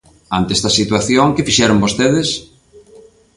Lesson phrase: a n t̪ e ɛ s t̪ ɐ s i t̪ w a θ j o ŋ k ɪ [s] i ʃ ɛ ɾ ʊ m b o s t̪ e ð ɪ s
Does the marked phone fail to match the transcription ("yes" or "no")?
yes